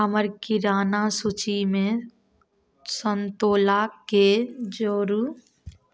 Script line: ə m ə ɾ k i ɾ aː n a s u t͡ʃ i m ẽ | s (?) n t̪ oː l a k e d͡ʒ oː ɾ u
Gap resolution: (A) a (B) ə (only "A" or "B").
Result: B